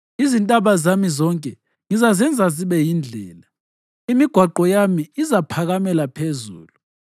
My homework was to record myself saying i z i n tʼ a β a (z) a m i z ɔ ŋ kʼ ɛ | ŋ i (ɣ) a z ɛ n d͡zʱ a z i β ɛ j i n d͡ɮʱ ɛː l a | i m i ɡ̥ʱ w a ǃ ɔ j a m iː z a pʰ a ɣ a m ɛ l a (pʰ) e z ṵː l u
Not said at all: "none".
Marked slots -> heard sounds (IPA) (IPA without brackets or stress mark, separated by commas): z, z, pʰ